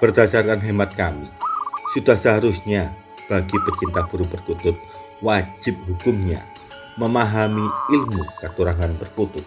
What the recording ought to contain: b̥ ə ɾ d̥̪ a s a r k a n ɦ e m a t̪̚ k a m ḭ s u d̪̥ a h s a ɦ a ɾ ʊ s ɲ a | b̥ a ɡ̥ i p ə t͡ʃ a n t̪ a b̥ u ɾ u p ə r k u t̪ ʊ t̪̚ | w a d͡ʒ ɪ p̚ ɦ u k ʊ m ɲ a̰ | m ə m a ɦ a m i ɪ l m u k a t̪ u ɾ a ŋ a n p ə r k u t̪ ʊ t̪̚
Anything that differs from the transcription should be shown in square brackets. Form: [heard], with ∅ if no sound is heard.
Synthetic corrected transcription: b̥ ə [r] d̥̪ a s a r k a n ɦ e m a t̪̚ k a m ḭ s u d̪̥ a h s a ɦ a ɾ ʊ s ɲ a | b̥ a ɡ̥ i p ə t͡ʃ [i] n t̪ a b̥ u ɾ u p ə r k u t̪ ʊ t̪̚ | w a d͡ʒ ɪ p̚ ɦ u k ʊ m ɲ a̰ | m ə m a ɦ a m i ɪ l m u k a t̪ u ɾ a ŋ a n p ə r k u t̪ ʊ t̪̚